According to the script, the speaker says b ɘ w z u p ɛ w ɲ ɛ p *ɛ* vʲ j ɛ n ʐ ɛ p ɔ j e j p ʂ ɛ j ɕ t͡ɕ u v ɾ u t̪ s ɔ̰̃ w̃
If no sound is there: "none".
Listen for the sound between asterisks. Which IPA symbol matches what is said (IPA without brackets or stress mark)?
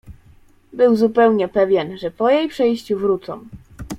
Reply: ɛ